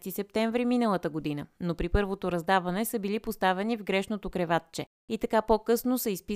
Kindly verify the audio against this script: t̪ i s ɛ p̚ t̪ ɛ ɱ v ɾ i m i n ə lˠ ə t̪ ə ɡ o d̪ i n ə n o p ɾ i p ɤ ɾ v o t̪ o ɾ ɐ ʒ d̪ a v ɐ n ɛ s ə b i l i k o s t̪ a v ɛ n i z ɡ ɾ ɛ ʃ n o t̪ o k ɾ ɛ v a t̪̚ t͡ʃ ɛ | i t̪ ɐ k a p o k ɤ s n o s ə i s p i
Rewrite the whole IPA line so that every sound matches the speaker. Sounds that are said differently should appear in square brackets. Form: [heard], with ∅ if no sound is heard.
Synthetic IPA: t̪ i s ɛ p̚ t̪ ɛ ɱ v ɾ i m i n ə lˠ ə t̪ ə ɡ o d̪ i n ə n o p ɾ i p ɤ ɾ v o t̪ o ɾ ɐ [z] d̪ a v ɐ n ɛ s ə b i l i [p] o s t̪ a v ɛ n i [v] ɡ ɾ ɛ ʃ n o t̪ o k ɾ ɛ v a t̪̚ t͡ʃ ɛ | i t̪ ɐ k a p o k ɤ s n o s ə i s p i